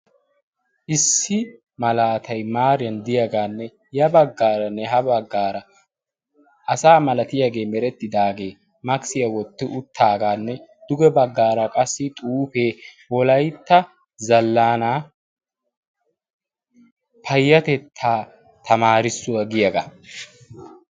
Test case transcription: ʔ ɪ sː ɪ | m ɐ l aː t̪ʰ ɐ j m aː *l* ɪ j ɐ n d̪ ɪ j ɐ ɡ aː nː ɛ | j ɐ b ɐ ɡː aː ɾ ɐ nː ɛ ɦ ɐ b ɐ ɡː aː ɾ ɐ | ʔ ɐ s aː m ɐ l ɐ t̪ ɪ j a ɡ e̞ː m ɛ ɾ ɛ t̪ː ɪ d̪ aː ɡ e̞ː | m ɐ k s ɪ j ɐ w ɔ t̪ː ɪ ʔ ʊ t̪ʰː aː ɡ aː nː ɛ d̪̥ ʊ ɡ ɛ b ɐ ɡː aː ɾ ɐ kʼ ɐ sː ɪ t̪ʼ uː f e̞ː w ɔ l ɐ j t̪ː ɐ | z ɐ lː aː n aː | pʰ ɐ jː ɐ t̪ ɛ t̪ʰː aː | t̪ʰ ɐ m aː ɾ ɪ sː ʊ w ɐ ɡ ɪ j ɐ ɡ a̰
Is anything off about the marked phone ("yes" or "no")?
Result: yes